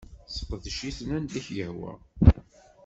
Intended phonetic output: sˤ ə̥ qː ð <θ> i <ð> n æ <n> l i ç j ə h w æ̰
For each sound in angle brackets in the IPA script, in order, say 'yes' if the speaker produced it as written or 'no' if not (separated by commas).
no, no, yes